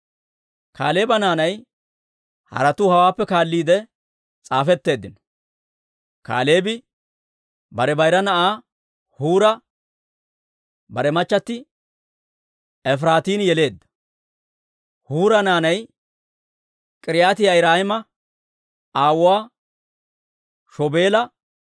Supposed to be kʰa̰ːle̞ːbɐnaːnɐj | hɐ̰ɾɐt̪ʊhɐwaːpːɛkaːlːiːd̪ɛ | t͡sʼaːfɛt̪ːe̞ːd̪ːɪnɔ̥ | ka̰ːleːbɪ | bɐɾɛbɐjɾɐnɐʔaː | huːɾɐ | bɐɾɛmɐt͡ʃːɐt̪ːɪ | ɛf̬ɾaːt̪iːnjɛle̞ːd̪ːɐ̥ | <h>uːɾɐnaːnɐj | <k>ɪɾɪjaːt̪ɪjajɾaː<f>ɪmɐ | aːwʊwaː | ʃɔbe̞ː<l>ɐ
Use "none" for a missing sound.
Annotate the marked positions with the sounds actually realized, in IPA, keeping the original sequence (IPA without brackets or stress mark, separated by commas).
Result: h, kʼ, h, l